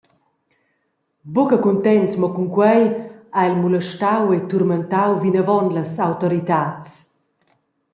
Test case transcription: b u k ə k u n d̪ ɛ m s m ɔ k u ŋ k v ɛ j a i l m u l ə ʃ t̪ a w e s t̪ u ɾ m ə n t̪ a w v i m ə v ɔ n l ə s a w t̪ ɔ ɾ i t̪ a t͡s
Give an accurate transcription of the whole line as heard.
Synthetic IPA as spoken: b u k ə k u n t̪ ɛ n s m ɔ k u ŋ k w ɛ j a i l m u l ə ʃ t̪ a w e t̪ u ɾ m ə n t̪ a w v i n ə v ɔ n l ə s a w t̪ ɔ ɾ i t̪ a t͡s

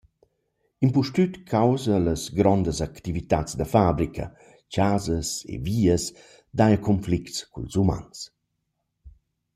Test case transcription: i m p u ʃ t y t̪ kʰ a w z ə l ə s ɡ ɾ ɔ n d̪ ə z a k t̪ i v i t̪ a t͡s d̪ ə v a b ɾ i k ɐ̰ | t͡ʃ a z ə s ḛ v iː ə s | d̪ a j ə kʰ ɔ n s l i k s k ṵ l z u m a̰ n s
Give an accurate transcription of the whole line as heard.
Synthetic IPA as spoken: i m p u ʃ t y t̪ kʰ a w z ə l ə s ɡ ɾ ɔ n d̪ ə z a k t̪ i v i t̪ a t͡s d̪ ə f a b ɾ i k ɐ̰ | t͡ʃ a z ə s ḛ v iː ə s | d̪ a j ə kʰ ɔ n f l i k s k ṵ l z u m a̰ n s

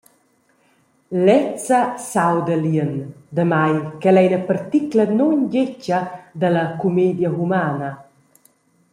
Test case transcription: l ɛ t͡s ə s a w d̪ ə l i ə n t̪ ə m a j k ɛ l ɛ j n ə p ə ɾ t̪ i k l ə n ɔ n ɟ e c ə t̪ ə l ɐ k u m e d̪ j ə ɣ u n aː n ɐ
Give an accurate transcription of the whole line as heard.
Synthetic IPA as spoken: l ɛ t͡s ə s a w d̪ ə l i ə n d̪ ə m a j k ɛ l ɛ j n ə p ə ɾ t̪ i k l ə n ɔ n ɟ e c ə d̪ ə l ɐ k u m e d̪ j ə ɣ u m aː n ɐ

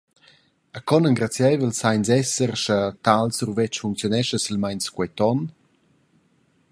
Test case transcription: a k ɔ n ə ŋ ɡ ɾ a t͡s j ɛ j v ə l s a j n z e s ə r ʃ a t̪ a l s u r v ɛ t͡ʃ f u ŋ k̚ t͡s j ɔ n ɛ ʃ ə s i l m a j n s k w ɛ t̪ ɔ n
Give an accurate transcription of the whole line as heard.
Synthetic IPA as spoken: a k ɔ n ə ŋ ɡ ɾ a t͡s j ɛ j v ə l s a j n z ɛ s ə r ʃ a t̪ a l s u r v ɛ t͡ʃ f u ŋ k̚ t͡s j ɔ n ɛ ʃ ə s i l m a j n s k w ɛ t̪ ɔ n

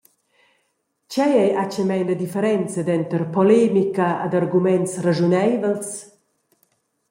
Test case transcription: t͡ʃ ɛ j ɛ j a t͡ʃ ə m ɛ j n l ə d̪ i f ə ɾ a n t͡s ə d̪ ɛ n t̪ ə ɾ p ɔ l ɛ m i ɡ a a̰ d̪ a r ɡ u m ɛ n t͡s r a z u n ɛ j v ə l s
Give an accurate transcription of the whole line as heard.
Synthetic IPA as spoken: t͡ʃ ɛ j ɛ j a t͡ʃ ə m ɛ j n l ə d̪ i f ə ɾ ɛ n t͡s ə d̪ ɛ n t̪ ə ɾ p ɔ l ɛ m i k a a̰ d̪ a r ɡ u m ɛ n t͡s r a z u n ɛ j v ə l s

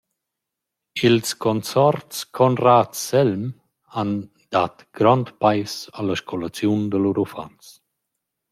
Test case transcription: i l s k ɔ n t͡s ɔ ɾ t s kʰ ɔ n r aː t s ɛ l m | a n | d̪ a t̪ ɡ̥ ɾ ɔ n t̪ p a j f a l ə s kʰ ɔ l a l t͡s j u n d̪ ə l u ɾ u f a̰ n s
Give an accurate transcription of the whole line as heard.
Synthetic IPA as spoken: i l s k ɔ n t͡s ɔ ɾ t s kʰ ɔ n r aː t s ɛ l m | a n | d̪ a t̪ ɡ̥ ɾ ɔ n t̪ p a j s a l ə ʃ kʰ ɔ l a t͡s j u n d̪ ə l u ɾ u f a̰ n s

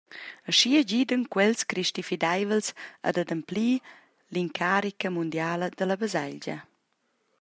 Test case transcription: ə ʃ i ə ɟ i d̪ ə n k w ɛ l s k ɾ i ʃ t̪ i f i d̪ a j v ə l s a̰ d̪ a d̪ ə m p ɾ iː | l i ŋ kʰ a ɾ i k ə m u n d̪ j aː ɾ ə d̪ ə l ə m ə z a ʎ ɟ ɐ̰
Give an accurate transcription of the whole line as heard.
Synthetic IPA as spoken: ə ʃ i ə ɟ i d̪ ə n k w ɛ l s k ɾ i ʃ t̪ i f i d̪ a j v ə l s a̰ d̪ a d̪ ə m p l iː | l i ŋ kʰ a ɾ i k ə m u n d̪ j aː l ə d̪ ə l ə b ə z a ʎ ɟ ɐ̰

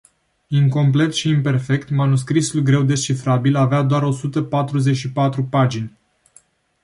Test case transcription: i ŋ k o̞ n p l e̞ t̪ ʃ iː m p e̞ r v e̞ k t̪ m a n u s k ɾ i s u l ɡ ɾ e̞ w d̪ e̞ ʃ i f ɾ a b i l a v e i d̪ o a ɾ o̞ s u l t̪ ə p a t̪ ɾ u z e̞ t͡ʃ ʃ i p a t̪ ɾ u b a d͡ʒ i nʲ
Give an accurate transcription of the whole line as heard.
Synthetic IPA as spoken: i ŋ k o̞ m p l e̞ t̪ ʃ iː m p e̞ r f e̞ k t̪ m a n u s k ɾ i s u l ɡ ɾ e̞ w d̪ e̞ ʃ i f ɾ a b i l a v e a d̪ o a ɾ o̞ s u t̪ ə p a t̪ ɾ u z e̞ t͡ʃ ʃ i p a t̪ ɾ u p a d͡ʒ i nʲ

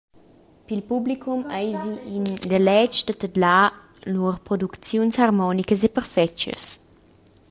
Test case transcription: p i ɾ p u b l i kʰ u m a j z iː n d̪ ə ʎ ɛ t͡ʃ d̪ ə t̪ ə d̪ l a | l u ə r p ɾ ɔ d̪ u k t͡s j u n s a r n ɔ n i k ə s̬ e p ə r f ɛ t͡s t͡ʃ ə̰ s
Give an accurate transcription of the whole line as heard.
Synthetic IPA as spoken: p i l p u b l i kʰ u m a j z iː n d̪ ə l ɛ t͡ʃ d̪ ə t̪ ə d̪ l a | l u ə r p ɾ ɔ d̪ u k t͡s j u n s a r m ɔ n i k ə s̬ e p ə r f ɛ t͡ʃ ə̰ s

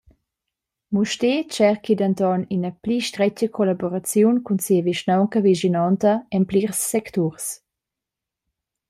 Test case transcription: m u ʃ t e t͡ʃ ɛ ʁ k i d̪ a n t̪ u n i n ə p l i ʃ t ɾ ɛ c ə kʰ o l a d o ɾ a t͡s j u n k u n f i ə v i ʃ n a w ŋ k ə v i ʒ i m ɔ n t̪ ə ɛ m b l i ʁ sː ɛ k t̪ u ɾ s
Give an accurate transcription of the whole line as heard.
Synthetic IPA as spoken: m u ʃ t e t͡ʃ ɛ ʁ k i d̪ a n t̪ ɔ n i n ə p l i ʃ t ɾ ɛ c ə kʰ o l a b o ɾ a t͡s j u n k u n s i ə v i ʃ n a w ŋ k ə v i ʒ i n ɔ n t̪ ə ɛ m p l i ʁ sː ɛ k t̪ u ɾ s

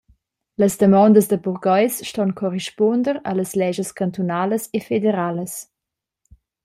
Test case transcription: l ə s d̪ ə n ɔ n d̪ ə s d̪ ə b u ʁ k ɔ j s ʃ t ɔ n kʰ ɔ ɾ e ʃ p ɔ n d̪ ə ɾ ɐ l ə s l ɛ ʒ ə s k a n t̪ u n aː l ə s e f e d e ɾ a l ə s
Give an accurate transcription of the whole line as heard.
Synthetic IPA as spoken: l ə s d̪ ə m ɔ n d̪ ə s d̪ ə b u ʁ ɡ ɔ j s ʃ t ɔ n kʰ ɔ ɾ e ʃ p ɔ n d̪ ə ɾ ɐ l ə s l ɛ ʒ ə s k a n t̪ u n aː l ə s e f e d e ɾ a l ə s

